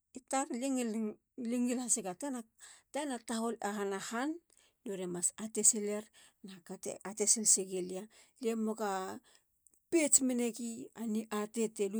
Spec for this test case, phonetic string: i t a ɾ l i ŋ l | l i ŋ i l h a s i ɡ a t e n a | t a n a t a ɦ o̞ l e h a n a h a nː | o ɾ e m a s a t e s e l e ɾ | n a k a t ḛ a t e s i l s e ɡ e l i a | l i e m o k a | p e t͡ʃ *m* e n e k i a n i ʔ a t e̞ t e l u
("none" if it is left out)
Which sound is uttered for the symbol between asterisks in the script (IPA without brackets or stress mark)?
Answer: m